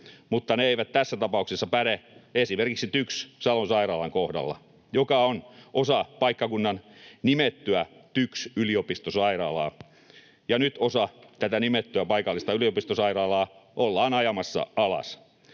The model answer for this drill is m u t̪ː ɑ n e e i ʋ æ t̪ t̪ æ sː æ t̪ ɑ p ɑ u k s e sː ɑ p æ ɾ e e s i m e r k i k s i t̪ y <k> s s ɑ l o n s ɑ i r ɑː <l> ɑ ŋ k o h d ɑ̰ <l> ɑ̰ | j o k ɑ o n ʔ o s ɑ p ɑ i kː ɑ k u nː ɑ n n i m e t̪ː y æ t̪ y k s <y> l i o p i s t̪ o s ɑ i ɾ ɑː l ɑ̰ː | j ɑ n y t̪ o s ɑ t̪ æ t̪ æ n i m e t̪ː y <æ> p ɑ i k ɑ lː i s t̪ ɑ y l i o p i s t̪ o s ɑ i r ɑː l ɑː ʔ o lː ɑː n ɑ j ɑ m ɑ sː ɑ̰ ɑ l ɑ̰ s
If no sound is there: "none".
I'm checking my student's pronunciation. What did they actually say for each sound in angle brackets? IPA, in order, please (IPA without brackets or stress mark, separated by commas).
k, l, lː, y, æ